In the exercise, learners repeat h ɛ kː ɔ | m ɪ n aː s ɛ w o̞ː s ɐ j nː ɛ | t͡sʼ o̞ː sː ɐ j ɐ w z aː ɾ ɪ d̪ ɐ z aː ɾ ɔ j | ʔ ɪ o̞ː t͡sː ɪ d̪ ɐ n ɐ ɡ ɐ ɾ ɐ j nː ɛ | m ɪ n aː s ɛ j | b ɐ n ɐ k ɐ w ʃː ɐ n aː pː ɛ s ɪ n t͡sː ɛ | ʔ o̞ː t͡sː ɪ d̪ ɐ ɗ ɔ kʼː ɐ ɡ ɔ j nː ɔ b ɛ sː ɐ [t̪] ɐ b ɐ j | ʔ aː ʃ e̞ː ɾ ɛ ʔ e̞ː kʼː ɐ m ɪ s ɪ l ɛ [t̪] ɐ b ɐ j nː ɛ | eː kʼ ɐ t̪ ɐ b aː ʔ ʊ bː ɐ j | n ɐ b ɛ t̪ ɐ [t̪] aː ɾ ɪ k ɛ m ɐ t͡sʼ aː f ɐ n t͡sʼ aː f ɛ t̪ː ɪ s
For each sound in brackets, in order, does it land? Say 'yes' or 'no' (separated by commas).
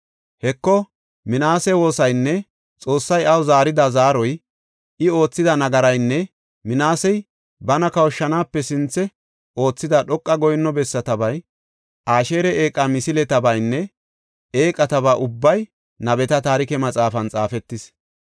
yes, yes, yes